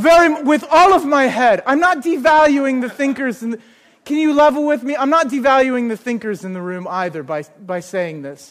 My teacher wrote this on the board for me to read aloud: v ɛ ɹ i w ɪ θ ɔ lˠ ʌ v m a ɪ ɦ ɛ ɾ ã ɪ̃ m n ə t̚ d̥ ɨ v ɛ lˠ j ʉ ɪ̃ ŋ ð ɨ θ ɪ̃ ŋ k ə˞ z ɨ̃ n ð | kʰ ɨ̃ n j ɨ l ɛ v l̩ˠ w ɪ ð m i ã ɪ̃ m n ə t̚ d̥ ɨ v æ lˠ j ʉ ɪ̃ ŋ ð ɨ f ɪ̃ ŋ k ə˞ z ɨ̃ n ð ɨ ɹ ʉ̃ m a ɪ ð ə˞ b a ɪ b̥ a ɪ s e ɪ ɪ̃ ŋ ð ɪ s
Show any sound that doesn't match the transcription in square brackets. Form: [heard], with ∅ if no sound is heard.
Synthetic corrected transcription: v ɛ ɹ i w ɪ [ð] ɔ lˠ ʌ v m a ɪ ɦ ɛ ɾ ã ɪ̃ m n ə t̚ d̥ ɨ v [æ] lˠ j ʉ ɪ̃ ŋ ð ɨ θ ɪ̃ ŋ k ə˞ z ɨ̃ n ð | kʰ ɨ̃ n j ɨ l ɛ v l̩ˠ w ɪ ð m i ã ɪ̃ m n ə t̚ d̥ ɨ v æ lˠ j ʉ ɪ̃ ŋ ð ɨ [θ] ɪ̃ ŋ k ə˞ z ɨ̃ n ð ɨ ɹ ʉ̃ m a ɪ ð ə˞ b a ɪ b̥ a ɪ s e ɪ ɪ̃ ŋ ð ɪ s